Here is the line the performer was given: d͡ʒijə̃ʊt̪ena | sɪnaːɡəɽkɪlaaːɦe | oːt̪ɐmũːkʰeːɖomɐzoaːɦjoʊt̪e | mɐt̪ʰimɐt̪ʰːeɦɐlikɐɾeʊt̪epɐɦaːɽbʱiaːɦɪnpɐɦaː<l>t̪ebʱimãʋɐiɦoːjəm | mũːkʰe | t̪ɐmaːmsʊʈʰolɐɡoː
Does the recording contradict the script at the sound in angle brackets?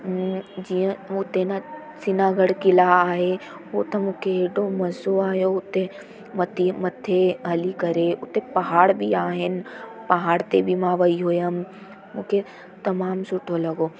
yes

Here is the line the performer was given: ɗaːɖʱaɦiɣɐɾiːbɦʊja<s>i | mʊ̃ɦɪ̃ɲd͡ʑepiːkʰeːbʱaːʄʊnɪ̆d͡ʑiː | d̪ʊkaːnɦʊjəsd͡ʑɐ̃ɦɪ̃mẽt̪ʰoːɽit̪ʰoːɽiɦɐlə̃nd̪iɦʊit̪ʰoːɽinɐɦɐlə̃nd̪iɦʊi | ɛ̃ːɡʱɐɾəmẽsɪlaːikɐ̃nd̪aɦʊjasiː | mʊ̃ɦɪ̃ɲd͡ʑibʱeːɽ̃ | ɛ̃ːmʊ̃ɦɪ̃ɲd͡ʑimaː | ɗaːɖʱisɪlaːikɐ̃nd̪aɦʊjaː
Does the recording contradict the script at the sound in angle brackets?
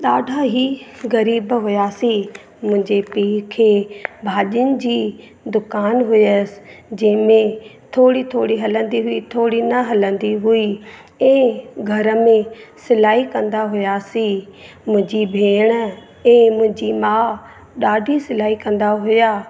no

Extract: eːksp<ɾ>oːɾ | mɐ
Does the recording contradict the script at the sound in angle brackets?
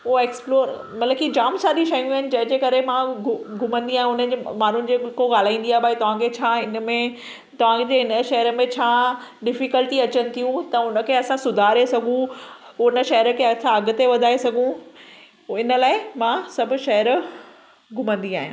yes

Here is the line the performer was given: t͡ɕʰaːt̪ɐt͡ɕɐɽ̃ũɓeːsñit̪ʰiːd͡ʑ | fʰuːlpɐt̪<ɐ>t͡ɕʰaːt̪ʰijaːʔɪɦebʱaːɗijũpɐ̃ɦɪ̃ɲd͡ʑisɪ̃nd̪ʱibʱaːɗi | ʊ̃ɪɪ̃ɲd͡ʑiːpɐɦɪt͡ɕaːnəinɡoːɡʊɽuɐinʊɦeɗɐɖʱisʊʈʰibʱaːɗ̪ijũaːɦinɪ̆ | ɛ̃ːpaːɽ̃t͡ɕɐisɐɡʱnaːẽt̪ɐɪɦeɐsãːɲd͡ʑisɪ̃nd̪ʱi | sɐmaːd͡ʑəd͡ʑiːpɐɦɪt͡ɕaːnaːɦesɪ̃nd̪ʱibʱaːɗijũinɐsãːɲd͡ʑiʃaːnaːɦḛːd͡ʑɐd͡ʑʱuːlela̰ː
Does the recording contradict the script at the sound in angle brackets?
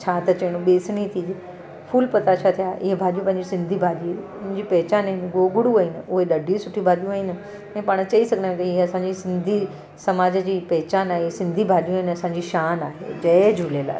yes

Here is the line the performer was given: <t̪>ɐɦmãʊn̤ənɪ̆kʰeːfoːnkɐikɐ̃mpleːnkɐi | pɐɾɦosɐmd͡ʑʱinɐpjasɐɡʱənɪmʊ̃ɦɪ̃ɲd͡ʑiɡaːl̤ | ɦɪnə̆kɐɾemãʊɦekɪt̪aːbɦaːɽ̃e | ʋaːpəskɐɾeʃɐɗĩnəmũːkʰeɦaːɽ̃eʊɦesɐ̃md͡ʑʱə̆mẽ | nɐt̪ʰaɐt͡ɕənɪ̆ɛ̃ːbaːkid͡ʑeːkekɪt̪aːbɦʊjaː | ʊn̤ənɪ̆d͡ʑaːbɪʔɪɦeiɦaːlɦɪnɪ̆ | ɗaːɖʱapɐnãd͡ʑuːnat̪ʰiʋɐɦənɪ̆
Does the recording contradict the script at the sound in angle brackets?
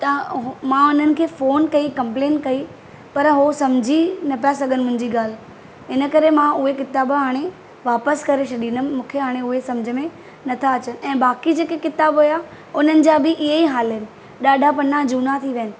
no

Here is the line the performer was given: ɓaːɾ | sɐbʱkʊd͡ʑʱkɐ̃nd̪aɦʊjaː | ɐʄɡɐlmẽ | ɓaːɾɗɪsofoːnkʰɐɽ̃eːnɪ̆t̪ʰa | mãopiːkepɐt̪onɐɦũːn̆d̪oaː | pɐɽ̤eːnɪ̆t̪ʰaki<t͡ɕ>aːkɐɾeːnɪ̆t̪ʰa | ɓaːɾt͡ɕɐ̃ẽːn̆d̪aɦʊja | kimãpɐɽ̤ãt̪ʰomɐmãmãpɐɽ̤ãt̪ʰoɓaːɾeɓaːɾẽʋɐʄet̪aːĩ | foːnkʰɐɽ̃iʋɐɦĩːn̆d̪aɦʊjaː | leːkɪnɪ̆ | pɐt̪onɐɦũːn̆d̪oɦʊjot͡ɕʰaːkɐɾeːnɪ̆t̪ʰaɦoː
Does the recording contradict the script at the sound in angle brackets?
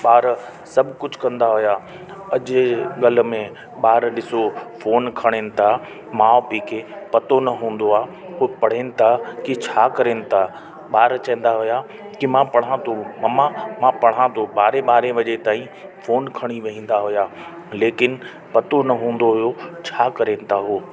yes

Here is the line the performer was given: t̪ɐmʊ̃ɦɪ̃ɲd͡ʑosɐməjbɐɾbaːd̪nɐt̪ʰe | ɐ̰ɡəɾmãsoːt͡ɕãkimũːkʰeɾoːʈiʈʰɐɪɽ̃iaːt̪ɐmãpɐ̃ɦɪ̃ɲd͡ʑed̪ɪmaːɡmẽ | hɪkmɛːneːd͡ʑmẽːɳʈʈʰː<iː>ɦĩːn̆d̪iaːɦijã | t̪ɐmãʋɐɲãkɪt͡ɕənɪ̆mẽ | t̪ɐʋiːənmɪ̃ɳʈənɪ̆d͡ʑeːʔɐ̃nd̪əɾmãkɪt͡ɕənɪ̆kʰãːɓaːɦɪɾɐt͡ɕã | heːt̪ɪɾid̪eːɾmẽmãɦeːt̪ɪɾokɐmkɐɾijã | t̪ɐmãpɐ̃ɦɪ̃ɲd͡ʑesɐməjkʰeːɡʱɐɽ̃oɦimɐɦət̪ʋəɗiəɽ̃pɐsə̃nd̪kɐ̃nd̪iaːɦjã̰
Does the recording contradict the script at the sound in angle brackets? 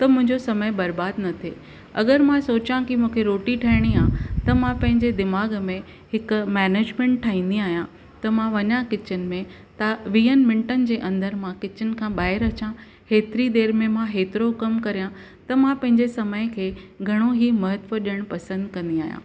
yes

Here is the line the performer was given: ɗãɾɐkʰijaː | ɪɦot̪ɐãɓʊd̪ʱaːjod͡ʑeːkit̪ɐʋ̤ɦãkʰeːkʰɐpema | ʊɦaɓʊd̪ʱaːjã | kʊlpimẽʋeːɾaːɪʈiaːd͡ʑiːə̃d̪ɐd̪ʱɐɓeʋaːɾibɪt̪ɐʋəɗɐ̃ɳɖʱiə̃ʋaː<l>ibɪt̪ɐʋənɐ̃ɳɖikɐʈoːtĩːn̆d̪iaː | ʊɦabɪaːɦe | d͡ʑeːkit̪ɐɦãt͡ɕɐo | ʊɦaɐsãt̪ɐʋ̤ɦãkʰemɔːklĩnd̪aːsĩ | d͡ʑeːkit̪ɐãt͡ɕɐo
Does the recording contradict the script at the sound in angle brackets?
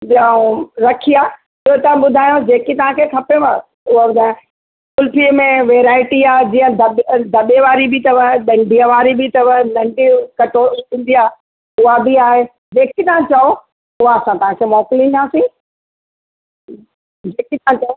yes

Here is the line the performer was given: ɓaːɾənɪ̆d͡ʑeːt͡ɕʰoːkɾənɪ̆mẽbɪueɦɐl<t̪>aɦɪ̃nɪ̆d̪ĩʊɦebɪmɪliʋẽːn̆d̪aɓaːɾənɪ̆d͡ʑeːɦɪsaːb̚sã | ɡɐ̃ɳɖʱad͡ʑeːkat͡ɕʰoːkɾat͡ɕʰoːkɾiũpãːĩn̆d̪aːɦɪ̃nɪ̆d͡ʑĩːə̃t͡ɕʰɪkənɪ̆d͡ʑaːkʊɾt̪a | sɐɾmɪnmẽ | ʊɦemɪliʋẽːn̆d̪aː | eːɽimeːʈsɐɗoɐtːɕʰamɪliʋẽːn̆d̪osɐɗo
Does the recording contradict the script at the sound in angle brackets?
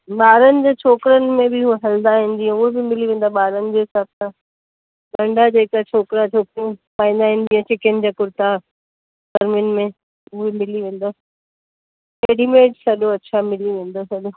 yes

